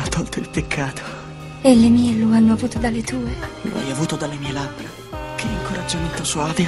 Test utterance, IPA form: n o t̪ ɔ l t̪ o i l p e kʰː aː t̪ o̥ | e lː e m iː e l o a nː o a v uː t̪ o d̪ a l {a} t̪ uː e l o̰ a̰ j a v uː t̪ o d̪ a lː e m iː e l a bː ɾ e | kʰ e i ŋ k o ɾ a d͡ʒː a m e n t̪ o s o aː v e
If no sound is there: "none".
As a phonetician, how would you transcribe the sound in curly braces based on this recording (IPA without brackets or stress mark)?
e